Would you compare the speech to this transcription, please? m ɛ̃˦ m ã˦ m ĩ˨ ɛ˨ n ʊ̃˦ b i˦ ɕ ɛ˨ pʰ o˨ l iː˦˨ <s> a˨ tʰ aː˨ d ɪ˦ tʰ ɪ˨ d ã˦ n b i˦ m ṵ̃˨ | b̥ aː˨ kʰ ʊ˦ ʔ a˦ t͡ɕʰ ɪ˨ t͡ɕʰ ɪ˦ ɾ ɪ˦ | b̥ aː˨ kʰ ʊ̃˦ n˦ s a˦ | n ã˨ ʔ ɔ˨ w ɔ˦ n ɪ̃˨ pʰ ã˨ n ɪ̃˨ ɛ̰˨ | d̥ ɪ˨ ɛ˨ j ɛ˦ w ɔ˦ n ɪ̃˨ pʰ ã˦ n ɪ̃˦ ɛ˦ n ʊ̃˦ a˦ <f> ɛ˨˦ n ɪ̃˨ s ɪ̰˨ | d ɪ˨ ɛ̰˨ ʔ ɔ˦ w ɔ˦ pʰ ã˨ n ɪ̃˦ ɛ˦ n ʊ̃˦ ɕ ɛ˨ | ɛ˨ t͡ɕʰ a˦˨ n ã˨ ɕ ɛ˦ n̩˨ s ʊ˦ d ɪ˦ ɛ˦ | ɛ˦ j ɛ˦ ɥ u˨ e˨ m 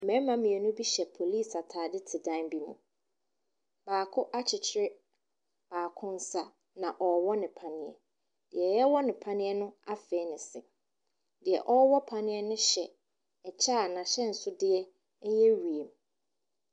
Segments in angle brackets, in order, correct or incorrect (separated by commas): correct, correct